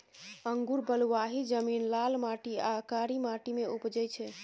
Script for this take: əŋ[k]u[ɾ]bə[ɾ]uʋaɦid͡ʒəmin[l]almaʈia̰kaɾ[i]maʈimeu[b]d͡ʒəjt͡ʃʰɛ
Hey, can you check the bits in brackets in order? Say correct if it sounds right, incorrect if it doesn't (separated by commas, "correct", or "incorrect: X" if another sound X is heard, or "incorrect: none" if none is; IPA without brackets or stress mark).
incorrect: ɡ, correct, incorrect: l, correct, correct, incorrect: p